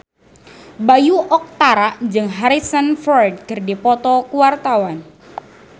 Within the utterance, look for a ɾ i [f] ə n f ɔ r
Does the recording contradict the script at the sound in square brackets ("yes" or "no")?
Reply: yes